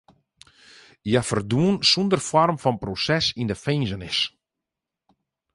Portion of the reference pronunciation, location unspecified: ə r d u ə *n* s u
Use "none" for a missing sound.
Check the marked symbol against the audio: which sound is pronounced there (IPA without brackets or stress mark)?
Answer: n